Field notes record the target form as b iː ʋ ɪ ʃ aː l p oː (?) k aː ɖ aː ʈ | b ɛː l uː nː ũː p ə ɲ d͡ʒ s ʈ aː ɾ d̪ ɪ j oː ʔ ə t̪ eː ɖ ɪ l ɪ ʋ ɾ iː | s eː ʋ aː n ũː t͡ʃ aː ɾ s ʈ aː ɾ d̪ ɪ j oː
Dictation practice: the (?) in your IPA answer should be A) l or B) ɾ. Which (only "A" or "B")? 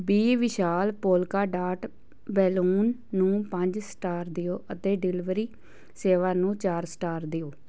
A